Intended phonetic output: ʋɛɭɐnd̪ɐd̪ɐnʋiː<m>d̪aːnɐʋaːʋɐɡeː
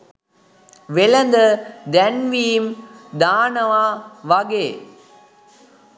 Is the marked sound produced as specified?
yes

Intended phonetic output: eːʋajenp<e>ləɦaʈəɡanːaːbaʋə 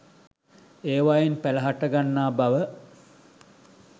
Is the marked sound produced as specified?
no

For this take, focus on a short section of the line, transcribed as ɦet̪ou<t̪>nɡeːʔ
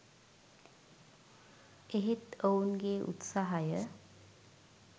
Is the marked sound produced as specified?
no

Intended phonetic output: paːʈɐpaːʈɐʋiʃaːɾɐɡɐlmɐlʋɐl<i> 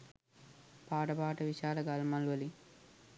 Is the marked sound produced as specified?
yes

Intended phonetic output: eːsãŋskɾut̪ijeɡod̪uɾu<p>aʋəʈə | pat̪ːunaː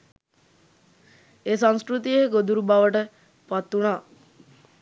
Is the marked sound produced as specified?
no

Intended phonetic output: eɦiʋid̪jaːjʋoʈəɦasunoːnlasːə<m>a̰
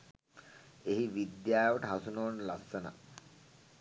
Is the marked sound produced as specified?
no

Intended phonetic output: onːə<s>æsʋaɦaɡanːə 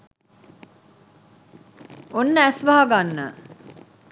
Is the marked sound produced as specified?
no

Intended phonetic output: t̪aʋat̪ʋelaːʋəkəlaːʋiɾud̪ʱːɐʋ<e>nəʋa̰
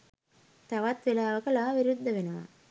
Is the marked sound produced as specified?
yes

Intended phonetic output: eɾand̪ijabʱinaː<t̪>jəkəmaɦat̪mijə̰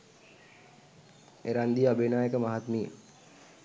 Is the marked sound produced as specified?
no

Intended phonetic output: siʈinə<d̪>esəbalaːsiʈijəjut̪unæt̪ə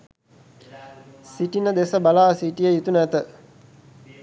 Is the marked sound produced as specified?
yes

